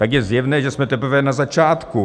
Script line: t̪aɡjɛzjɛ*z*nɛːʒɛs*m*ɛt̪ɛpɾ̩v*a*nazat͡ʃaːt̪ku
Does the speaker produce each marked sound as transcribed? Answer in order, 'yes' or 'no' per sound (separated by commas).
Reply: no, yes, no